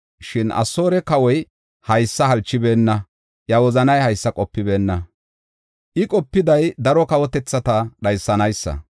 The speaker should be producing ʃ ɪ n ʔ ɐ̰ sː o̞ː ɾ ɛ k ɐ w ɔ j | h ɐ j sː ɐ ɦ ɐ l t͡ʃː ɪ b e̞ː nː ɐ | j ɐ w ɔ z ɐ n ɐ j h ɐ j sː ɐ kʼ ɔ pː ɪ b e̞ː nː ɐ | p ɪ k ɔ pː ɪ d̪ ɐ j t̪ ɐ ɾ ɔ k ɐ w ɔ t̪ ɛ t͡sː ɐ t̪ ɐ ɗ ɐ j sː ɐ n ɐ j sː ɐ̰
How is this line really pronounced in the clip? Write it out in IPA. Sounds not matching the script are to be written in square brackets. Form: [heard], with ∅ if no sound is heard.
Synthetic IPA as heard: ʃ ɪ n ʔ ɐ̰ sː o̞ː ɾ ɛ k ɐ w ɔ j | h ɐ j sː ɐ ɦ ɐ l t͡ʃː ɪ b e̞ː nː ɐ | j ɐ w ɔ z ɐ n ɐ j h ɐ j sː ɐ kʼ ɔ pː ɪ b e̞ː nː ɐ | [ʔ] ɪ [kʼ] ɔ pː ɪ d̪ ɐ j [d̪] ɐ ɾ ɔ k ɐ w ɔ t̪ ɛ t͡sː ɐ t̪ ɐ ɗ ɐ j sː ɐ n ɐ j sː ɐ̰